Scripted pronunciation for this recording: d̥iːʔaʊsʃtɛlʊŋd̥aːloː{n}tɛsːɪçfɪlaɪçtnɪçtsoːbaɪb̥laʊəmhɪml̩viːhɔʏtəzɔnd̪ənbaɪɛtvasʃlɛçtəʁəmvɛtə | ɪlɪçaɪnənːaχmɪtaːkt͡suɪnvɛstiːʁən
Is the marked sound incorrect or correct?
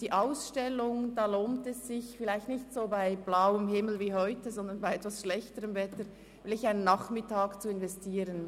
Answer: correct